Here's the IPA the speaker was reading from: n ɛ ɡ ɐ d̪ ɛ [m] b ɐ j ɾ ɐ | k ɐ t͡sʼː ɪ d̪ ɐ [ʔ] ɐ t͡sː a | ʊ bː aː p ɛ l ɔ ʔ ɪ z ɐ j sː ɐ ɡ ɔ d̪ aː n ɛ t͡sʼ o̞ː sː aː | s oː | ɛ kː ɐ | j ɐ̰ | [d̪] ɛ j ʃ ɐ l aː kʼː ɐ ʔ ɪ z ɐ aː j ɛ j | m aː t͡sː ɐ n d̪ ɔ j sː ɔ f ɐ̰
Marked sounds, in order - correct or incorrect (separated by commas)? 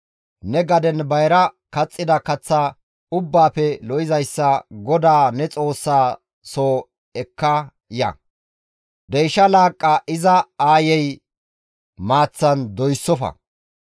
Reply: incorrect, incorrect, correct